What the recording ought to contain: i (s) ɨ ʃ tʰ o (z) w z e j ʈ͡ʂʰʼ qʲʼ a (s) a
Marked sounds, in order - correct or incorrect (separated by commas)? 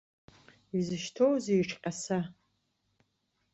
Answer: incorrect, incorrect, correct